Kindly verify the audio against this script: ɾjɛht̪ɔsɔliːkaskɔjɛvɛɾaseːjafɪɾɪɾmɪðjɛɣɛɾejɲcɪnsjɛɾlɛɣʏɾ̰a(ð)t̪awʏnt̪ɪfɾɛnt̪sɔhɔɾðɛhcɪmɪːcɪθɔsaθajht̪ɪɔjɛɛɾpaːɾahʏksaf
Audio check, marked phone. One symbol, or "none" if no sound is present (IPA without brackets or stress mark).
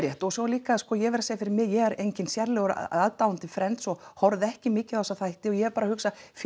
ð